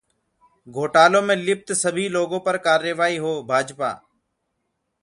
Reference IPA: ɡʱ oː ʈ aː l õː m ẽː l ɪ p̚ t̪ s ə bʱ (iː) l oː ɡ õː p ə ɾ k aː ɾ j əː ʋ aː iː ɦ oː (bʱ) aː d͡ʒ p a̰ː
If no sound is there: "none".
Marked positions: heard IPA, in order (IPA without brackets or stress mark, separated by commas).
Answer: iː, bʱ